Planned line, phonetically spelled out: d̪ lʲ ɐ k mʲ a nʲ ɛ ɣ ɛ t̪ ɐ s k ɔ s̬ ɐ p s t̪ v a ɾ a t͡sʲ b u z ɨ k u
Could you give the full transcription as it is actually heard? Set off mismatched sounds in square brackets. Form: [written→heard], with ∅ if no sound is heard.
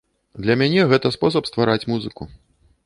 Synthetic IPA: d̪ lʲ ɐ [k→∅] mʲ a nʲ ɛ ɣ ɛ t̪ ɐ s [k→p] ɔ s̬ ɐ p s t̪ v a ɾ a t͡sʲ [b→m] u z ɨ k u